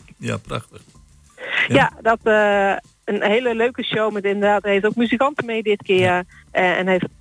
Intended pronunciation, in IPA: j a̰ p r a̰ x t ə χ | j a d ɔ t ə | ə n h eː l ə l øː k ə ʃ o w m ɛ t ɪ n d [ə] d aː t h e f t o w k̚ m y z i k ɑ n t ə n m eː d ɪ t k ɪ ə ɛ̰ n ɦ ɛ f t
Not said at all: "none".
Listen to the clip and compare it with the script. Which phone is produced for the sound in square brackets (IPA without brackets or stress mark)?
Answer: ə